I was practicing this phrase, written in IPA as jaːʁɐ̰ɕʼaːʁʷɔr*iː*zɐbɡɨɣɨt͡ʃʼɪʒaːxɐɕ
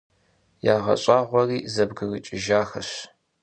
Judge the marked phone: correct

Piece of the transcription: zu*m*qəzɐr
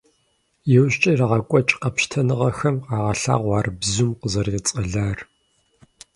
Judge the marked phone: correct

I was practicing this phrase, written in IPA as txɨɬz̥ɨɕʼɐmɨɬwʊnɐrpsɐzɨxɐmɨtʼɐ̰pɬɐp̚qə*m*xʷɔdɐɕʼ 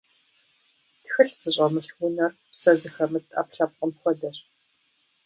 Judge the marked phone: correct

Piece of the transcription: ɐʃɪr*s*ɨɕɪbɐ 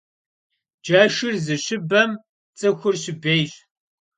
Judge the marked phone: incorrect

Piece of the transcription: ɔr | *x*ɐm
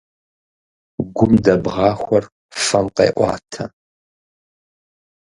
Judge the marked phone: incorrect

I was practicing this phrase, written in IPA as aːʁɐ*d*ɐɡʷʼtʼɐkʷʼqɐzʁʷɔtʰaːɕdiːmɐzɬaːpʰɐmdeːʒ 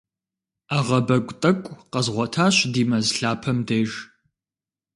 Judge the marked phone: incorrect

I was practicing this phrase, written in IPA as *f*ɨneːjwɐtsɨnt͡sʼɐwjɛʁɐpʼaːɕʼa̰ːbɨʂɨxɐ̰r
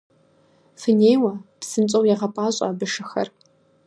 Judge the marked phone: correct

